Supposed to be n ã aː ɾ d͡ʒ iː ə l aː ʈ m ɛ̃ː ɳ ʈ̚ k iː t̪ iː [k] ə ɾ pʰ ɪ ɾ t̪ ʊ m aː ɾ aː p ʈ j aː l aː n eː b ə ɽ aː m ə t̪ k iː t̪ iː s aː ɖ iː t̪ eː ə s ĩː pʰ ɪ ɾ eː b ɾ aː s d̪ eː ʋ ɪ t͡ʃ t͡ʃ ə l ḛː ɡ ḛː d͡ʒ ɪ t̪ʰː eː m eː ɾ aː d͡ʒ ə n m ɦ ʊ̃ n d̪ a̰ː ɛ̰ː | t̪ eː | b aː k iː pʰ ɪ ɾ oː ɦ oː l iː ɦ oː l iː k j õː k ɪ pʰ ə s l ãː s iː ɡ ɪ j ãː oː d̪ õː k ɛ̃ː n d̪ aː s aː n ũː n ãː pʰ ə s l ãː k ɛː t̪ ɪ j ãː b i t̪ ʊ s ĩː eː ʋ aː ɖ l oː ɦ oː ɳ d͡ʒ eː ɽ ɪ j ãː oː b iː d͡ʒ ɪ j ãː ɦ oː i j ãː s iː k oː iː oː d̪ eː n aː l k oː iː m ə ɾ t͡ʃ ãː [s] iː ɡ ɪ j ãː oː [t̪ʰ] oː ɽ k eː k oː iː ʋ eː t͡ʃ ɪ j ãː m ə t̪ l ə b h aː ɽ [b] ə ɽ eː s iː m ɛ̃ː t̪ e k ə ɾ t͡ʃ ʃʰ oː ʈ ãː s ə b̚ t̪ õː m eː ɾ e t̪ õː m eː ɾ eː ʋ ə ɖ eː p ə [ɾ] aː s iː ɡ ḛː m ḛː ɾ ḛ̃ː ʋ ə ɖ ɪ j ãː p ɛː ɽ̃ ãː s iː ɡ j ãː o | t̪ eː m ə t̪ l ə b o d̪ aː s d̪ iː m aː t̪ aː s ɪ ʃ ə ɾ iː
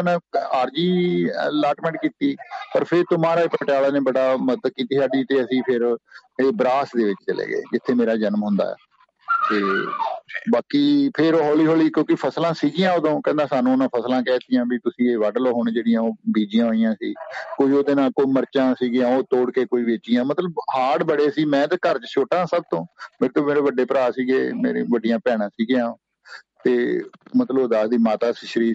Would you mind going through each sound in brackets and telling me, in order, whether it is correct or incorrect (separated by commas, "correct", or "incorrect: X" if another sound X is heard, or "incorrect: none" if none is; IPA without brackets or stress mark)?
incorrect: p, correct, incorrect: t̪, correct, correct